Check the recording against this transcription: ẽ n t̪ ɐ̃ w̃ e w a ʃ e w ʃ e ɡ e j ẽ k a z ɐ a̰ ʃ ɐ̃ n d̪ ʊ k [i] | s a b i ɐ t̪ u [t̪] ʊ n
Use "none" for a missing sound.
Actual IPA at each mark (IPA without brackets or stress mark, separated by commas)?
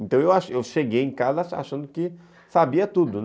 ɪ, d̪